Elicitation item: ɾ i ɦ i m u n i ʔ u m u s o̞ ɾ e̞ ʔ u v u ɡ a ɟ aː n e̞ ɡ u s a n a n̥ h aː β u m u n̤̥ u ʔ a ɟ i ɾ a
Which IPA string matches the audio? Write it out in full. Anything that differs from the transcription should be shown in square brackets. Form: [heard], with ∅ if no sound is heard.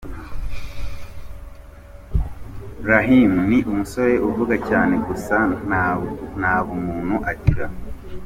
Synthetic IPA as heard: ɾ [a] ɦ i m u n i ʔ u m u s o̞ ɾ e̞ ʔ u v u ɡ a [c] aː n e̞ ɡ u s a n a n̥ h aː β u m [uː] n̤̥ u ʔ a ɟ i ɾ a